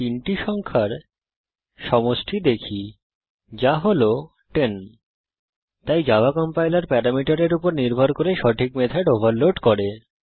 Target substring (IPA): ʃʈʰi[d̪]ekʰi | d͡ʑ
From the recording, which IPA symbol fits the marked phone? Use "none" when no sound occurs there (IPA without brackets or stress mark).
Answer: d̪